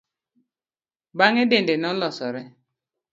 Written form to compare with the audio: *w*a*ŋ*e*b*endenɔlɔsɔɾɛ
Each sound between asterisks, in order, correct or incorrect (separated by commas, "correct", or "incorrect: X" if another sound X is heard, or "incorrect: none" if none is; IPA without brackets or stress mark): incorrect: b, correct, incorrect: d